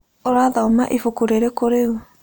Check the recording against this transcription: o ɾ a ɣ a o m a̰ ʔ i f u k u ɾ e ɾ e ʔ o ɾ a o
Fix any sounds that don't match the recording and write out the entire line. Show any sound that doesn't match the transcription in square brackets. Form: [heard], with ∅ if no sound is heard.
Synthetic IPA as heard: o ɾ a [ð] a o m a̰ ʔ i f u k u ɾ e ɾ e [k] o ɾ [e] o